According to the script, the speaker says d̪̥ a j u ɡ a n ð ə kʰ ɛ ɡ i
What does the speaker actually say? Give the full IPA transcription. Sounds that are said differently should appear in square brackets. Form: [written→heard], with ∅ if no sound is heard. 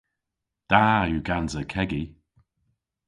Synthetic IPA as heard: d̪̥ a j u ɡ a n [ð→z] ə kʰ ɛ ɡ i